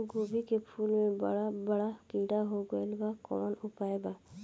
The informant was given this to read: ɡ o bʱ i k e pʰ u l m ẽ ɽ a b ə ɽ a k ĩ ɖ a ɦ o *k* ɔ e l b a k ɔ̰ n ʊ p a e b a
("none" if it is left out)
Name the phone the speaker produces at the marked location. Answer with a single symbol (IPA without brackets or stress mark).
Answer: ɡ